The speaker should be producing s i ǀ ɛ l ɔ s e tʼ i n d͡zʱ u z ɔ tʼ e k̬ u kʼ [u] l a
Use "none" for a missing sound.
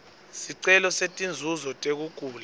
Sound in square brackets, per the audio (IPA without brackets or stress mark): uː